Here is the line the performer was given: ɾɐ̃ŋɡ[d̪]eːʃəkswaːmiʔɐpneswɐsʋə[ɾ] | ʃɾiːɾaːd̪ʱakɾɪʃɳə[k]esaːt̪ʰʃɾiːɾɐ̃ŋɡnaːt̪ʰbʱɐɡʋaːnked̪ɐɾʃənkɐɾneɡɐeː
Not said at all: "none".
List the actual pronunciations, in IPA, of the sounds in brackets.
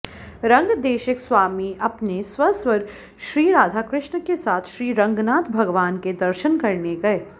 d̪, ɾ, k

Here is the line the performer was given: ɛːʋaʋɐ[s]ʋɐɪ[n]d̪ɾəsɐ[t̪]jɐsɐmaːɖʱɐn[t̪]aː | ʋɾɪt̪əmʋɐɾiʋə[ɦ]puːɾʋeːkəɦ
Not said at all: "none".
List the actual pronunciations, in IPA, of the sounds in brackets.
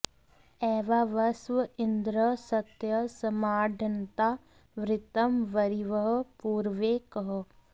s, n, t̪, t̪, ɦ

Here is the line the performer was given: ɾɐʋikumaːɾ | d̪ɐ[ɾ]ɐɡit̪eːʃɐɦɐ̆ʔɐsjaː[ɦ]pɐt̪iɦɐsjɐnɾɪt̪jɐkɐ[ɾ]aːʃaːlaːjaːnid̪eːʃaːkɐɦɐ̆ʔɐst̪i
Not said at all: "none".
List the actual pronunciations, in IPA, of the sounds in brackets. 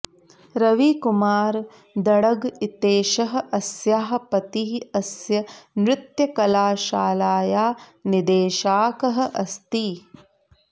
ɽ, ɦ, l

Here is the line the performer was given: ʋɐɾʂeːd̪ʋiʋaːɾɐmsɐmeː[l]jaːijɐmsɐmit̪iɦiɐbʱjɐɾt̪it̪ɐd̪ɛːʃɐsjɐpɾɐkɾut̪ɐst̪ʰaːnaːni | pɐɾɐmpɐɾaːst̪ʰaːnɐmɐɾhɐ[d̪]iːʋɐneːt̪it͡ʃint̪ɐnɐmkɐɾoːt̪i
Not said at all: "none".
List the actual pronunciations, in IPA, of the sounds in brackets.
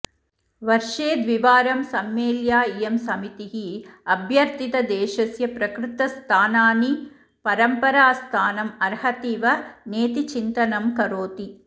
l, t̪

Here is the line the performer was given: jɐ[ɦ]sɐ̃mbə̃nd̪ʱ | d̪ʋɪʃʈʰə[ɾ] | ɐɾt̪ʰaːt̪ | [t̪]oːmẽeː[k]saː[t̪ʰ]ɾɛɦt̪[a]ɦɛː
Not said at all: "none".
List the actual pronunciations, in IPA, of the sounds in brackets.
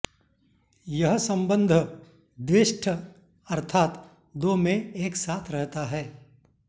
ɦ, none, d̪, k, t̪ʰ, a

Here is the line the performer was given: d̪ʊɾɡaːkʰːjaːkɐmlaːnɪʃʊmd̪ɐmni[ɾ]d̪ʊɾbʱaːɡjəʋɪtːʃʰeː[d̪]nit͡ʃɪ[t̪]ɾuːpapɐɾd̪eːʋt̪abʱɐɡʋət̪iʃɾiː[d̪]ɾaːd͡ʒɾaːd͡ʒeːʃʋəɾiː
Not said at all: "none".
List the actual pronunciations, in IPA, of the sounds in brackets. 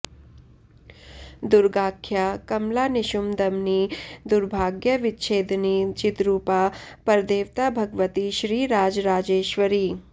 none, d̪, t̪, none

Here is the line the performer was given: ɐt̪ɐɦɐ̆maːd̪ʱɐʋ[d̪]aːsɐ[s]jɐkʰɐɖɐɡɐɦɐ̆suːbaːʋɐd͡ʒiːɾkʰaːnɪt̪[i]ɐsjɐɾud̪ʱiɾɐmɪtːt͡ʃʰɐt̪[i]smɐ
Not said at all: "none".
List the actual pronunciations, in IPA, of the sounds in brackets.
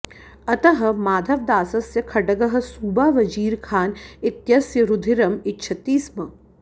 d̪, s, j, iː

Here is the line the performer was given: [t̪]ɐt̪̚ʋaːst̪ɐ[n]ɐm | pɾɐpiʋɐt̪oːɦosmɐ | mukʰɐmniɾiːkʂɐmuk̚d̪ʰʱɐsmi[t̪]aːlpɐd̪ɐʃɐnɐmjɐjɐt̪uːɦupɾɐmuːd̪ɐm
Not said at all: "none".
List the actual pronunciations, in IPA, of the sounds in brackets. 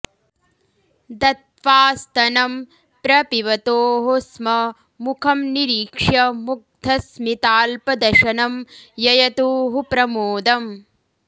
d̪, n, t̪

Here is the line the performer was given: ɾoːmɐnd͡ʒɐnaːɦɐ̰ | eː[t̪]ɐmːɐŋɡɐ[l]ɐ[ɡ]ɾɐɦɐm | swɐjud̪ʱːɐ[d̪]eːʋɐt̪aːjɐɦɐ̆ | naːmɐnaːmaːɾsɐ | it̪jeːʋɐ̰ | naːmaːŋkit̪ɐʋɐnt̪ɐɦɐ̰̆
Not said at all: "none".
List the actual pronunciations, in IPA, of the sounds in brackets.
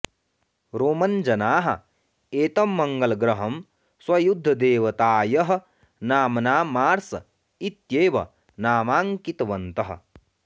t̪, l, ɡ, d̪

